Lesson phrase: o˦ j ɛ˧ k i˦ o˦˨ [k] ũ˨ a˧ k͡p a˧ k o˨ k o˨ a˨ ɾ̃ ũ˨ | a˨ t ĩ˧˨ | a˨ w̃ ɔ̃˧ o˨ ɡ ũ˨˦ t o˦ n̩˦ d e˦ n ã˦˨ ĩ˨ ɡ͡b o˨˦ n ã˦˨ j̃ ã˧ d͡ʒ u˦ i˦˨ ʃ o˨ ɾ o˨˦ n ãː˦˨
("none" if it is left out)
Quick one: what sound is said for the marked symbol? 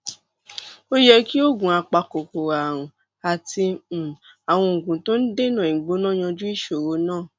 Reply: ɡ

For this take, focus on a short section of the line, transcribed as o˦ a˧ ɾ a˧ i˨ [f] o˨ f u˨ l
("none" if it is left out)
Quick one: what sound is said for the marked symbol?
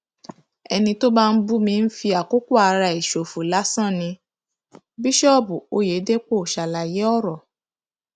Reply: ʃ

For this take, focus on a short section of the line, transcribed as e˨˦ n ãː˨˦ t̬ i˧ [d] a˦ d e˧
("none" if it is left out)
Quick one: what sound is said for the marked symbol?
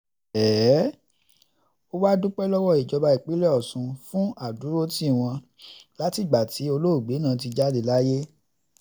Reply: d͡ʒ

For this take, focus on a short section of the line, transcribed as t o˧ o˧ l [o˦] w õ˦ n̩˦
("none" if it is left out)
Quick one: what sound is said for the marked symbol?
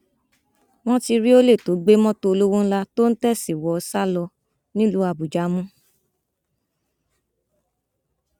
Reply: o˦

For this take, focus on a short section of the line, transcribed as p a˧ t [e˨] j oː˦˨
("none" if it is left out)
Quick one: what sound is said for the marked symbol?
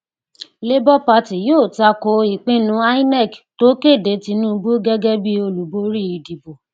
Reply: i˨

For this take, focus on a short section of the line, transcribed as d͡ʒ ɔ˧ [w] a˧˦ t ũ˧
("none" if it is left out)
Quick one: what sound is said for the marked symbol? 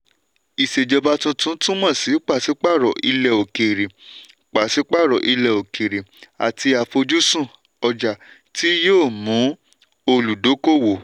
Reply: b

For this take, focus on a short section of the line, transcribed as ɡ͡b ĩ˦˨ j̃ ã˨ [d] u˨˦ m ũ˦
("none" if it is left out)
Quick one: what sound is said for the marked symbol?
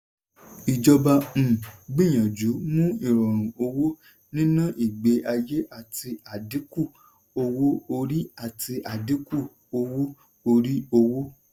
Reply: d͡ʒ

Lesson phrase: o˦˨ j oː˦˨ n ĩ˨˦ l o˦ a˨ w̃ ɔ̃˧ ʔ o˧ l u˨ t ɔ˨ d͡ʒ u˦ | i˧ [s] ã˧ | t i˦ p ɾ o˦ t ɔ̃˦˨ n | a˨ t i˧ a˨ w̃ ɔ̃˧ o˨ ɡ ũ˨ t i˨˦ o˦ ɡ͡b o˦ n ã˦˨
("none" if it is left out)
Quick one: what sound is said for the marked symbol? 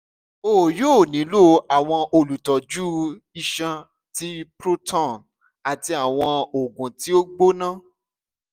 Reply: ʃ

